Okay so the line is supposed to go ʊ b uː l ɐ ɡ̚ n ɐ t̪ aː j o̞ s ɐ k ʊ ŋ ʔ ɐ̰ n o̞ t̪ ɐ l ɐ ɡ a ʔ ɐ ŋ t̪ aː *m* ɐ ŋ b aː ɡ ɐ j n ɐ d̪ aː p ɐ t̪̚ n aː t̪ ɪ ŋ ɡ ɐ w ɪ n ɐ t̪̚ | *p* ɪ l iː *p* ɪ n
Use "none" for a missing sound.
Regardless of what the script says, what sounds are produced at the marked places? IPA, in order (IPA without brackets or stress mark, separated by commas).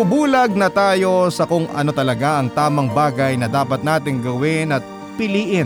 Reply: m, p, ʔ